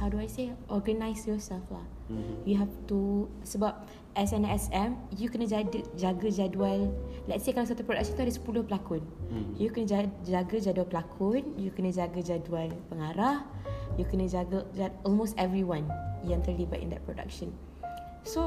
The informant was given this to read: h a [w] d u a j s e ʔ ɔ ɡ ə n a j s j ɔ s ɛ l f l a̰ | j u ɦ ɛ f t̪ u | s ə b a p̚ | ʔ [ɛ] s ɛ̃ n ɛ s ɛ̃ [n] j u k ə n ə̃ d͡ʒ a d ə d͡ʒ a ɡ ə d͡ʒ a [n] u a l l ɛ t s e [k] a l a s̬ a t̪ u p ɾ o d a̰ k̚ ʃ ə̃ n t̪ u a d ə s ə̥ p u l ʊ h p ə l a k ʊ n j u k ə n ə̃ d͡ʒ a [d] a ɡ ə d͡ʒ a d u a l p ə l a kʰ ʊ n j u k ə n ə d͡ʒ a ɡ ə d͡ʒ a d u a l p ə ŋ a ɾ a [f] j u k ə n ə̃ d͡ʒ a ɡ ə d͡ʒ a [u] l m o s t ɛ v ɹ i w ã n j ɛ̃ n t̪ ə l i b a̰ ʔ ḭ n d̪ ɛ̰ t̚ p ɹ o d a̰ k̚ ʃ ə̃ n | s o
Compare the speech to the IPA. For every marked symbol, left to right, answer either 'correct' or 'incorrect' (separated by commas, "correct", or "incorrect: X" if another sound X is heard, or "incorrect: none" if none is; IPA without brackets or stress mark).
correct, correct, incorrect: m, incorrect: d, correct, incorrect: d͡ʒ, incorrect: h, incorrect: ɔ